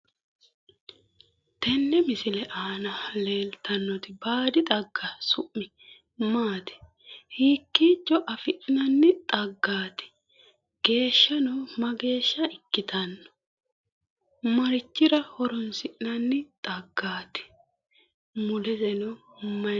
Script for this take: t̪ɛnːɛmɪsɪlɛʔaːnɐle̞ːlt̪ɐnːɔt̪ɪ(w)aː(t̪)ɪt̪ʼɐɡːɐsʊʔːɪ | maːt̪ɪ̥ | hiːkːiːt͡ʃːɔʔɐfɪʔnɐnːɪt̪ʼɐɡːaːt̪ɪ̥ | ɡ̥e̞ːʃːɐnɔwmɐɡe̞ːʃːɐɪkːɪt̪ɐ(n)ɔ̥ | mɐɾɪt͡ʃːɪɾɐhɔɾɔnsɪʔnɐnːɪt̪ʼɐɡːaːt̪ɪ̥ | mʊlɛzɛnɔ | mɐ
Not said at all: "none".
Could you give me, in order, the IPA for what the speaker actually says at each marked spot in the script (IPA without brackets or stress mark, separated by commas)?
b, d̪, nː